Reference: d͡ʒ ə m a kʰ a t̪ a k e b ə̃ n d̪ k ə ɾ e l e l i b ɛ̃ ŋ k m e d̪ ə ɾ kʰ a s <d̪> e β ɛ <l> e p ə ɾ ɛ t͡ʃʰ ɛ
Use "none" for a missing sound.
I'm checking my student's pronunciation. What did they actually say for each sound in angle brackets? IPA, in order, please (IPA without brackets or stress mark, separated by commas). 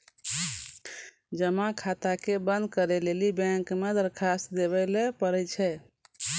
d̪, l